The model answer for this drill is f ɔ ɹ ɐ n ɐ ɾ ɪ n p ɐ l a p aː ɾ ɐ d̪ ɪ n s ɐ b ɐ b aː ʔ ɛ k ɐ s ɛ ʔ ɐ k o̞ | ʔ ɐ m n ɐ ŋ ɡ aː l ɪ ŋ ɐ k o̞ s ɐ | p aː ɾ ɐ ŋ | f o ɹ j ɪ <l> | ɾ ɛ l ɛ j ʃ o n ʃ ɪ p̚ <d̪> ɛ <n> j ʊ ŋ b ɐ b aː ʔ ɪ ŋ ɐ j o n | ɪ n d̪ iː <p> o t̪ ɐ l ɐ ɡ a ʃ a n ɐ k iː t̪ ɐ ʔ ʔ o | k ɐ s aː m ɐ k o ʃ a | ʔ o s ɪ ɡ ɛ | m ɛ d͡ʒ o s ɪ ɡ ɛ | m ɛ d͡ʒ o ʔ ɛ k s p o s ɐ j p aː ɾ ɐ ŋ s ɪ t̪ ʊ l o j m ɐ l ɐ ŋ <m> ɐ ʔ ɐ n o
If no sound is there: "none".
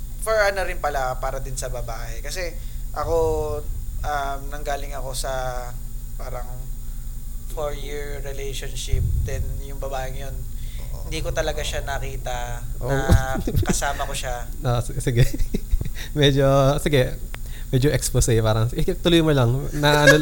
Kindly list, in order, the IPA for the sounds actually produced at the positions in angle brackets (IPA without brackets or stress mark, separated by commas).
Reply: ɹ, d̪, n, k, n